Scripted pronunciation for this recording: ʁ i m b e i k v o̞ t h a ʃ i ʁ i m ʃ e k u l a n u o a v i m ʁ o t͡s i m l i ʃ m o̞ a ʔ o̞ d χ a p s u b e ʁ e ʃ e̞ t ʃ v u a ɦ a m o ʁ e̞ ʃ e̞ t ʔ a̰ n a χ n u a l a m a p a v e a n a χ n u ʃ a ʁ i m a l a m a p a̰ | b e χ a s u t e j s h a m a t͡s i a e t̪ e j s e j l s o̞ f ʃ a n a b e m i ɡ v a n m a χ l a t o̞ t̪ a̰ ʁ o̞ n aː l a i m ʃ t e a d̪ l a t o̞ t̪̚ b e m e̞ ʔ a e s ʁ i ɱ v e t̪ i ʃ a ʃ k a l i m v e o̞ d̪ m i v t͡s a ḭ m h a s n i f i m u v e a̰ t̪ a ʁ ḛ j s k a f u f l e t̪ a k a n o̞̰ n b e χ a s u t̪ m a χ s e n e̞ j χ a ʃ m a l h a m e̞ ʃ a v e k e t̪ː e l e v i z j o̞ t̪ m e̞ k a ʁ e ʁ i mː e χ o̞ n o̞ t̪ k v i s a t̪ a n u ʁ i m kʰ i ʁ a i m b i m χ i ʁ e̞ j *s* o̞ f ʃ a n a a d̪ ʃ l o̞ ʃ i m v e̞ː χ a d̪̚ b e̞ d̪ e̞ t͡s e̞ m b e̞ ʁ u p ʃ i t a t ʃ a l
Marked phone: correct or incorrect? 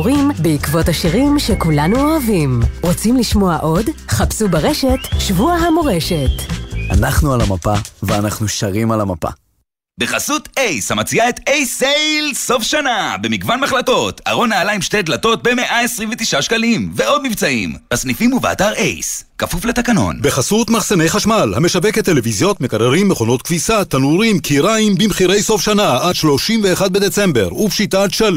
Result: correct